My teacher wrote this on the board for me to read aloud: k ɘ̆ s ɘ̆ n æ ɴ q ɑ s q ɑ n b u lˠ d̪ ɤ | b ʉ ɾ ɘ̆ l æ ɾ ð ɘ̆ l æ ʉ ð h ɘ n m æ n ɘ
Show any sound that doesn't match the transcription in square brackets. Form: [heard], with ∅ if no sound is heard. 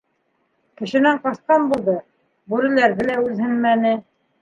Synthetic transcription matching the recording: k ɘ̆ [ʃ] ɘ̆ n æ ɴ q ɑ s q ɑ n b u lˠ d̪ ɤ | b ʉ ɾ ɘ̆ l æ ɾ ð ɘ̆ l æ ʉ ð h ɘ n m æ n ɘ